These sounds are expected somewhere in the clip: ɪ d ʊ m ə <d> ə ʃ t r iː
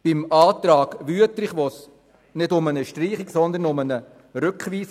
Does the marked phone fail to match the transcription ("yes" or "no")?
yes